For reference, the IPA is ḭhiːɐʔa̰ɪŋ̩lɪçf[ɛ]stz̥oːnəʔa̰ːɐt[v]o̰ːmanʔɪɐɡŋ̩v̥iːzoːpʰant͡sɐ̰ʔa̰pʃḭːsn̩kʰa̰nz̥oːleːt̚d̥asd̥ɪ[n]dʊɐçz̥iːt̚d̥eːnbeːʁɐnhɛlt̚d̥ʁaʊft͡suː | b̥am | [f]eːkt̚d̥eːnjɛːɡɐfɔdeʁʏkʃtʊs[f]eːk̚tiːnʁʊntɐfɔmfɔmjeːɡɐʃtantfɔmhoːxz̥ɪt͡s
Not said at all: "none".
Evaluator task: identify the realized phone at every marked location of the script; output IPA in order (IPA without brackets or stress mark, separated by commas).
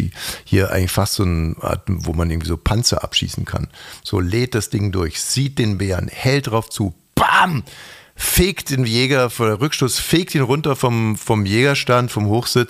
a, v, ŋ, f, f